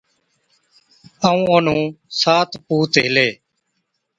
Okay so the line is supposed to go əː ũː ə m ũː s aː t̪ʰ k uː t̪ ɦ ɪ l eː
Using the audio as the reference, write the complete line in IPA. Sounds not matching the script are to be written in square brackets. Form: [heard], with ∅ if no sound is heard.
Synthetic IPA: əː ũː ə [n] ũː s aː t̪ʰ [p] uː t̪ ɦ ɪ l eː